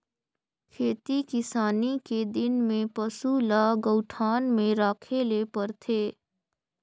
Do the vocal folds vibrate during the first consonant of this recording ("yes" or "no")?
no